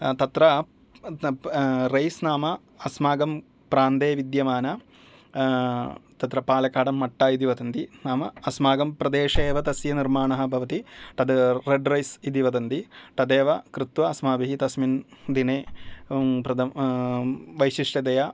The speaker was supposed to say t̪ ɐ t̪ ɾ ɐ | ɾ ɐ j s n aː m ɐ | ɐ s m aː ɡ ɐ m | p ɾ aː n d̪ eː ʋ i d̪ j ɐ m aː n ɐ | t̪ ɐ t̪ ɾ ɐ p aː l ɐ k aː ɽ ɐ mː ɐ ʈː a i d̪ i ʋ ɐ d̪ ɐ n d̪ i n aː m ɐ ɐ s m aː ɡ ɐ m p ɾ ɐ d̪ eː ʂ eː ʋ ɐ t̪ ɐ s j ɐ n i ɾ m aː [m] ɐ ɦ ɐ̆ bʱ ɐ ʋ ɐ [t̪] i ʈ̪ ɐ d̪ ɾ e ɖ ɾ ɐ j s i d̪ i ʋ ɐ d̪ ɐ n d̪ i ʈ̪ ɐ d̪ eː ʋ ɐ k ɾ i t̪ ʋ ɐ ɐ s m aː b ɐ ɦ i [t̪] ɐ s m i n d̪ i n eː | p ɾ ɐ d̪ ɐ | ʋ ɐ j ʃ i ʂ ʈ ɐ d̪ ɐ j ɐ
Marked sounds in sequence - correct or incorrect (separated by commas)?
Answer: incorrect, correct, correct